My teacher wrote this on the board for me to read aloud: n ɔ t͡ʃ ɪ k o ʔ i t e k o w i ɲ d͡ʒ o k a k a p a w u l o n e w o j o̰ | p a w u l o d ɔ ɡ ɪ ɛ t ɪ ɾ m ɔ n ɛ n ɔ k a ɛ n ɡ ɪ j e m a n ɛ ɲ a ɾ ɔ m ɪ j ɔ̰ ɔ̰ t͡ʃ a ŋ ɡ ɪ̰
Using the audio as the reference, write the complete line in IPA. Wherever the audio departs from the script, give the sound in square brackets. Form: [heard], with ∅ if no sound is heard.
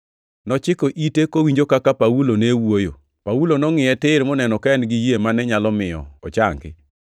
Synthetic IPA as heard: n ɔ t͡ʃ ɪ k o ʔ i t e k o w i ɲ d͡ʒ o k a k a p a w u l o n e w o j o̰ | p a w u l o [n] ɔ [ŋ] ɪ ɛ t ɪ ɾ m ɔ n ɛ n ɔ k a ɛ n ɡ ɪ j e m a n ɛ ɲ a [l] ɔ m ɪ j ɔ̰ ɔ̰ t͡ʃ a ŋ ɡ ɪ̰